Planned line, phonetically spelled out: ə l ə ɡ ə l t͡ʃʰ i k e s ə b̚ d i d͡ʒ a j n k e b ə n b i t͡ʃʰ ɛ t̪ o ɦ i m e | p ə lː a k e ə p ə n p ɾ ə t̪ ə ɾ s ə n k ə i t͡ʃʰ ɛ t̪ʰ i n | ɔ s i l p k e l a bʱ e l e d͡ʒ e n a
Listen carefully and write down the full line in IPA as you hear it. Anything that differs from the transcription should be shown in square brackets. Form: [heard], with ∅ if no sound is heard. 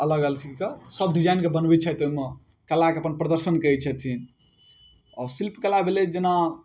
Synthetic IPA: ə l ə ɡ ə l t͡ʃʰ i k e s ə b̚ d i d͡ʒ a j n k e b ə n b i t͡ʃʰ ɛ t̪ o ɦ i m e | [k] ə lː a k e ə p ə n p ɾ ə [d̪] ə ɾ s ə n k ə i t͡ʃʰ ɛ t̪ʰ i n | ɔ s i l p k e l a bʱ e l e d͡ʒ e n a

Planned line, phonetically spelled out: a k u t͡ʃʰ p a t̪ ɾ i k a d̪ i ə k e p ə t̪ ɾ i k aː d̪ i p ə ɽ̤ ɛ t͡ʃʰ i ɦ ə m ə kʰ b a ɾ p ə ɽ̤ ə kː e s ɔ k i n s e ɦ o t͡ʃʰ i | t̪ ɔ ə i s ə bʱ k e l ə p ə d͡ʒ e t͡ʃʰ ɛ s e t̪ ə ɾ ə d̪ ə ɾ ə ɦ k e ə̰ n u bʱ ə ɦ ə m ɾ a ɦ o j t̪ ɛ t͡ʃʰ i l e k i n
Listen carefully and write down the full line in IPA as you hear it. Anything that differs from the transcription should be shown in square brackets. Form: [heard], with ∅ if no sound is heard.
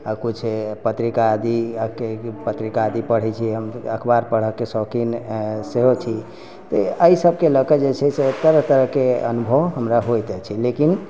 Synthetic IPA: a k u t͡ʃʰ p [ə] t̪ ɾ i k a d̪ i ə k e p ə t̪ ɾ i k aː d̪ i p ə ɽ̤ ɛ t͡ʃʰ i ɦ ə m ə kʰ b a ɾ p ə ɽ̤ ə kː e s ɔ k i n s e ɦ o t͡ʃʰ i | t̪ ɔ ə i s ə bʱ k e l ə [k] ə d͡ʒ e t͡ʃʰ ɛ s e t̪ ə ɾ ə [t̪] ə ɾ ə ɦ k e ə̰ n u bʱ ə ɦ ə m ɾ a ɦ o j t̪ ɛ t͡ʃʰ i l e k i n

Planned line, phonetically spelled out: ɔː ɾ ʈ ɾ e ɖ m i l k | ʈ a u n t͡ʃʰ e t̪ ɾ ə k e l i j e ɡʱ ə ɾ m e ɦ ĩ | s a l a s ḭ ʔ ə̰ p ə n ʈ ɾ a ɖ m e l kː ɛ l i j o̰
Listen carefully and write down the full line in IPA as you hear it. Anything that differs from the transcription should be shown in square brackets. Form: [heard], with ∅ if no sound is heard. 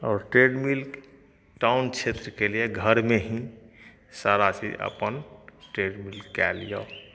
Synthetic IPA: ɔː ɾ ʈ ɾ e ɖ m i l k | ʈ a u n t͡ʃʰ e t̪ ɾ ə k e l i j e ɡʱ ə ɾ m e ɦ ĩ | s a [ɾ] a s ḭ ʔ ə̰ p ə n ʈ ɾ [e] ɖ m [i] l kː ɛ l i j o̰

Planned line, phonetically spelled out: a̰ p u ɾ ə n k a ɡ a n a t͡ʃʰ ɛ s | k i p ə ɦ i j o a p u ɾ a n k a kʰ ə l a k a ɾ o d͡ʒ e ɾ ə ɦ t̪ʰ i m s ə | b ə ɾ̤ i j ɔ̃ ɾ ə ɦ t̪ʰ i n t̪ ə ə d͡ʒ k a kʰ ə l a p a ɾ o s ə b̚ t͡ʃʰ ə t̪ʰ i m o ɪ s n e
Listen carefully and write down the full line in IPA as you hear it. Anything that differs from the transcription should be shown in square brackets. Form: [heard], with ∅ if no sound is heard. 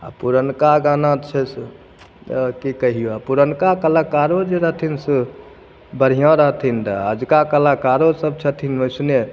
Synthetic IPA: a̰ p u ɾ ə n k a ɡ a n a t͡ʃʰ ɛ s | k i [k] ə ɦ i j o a p u ɾ [ə] n k a [k] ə l a k a ɾ o d͡ʒ e ɾ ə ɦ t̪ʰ i [n] s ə | b ə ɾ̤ i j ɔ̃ ɾ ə ɦ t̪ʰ i n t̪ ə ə d͡ʒ k a [k] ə l a [k] a ɾ o s ə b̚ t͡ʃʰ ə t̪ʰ i [n] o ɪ s n e

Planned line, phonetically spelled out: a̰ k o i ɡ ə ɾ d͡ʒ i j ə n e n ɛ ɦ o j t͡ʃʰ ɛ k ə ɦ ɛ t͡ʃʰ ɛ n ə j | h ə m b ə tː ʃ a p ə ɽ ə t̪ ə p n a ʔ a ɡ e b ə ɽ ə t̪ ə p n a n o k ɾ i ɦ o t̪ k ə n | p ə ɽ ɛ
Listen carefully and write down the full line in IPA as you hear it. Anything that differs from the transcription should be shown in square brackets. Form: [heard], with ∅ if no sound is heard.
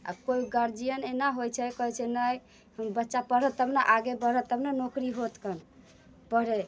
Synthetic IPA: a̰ k o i ɡ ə ɾ d͡ʒ i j ə n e n [a] ɦ o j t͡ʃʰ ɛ k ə ɦ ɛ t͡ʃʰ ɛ n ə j | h ə m b ə tː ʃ a p ə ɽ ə t̪ ə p n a ʔ a ɡ e b ə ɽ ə t̪ ə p n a n o k ɾ i ɦ o t̪ k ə n | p ə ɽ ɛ

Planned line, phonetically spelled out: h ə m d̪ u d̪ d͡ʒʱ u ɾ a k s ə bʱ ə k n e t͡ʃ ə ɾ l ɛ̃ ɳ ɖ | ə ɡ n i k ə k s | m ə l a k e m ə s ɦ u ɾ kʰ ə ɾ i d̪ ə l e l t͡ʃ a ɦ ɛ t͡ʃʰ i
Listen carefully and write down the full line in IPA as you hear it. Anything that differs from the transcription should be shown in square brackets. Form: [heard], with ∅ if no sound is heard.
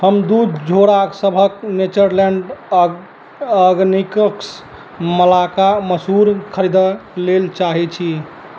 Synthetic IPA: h ə m d̪ u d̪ d͡ʒʱ [o] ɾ a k s ə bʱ ə k n e t͡ʃ ə ɾ l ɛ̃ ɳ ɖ | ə ɡ n i k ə k s | m ə l a k [a] m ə s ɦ u ɾ kʰ ə ɾ i d̪ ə l e l t͡ʃ a ɦ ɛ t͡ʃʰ i

